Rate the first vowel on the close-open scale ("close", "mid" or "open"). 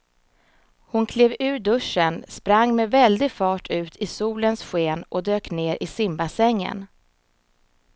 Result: close